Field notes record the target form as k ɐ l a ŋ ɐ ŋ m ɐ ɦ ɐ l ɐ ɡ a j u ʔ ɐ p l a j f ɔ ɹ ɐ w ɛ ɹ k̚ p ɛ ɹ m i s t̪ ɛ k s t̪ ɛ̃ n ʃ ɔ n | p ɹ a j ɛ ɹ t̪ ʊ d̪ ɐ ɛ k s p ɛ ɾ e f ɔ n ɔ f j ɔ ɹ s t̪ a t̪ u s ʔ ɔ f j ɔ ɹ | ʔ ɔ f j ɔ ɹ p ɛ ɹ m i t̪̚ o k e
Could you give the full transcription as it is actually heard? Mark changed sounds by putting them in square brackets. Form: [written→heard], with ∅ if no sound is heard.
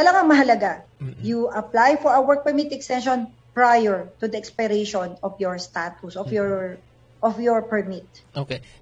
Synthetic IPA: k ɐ l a ŋ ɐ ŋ m ɐ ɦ ɐ l ɐ ɡ a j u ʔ ɐ p l a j f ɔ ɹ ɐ w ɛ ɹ k̚ p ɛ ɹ m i [s→∅] t̪ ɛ k s t̪ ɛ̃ n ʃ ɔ n | p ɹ a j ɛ ɹ t̪ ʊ d̪ ɐ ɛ k s p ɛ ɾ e [f→ʃ] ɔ n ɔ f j ɔ ɹ s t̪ a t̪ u s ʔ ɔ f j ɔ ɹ | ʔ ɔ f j ɔ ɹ p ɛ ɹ m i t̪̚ o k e